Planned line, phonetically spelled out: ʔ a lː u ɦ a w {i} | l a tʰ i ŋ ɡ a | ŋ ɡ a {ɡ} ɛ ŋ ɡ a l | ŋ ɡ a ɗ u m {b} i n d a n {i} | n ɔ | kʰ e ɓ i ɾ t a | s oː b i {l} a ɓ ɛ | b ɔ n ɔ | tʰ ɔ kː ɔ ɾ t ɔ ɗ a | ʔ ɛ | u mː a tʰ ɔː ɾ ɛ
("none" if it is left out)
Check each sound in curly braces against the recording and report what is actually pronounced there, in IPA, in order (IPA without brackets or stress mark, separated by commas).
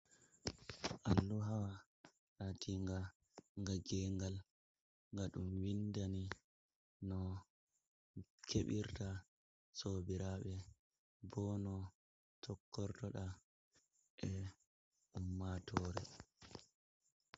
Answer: a, ɡ, w, i, ɾ